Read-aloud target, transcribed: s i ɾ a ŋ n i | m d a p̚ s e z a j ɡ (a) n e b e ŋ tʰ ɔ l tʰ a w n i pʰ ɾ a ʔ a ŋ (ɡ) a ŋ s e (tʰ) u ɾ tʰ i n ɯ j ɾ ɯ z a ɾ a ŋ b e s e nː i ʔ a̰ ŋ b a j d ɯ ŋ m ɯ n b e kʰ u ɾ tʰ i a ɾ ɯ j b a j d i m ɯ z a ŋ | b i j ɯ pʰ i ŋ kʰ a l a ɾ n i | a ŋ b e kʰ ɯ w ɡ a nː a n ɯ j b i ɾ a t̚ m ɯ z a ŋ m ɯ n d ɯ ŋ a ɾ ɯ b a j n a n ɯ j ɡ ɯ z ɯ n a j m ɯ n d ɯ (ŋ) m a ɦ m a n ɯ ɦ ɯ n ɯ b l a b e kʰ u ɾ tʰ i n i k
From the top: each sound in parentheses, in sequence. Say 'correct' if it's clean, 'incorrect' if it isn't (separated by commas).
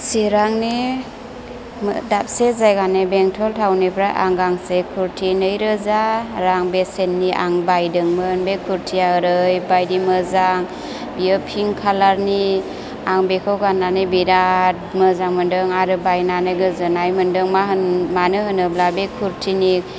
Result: correct, correct, incorrect, correct